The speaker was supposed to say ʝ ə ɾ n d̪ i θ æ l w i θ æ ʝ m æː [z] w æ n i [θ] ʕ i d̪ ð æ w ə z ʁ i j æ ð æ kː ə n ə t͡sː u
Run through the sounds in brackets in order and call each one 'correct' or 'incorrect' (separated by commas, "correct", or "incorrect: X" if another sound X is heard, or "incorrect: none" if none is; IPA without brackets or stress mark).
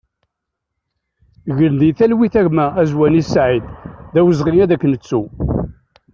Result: correct, incorrect: s